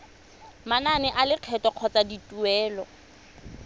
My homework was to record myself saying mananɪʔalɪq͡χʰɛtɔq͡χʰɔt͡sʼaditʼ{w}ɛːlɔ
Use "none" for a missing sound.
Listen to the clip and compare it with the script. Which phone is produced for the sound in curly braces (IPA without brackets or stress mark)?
u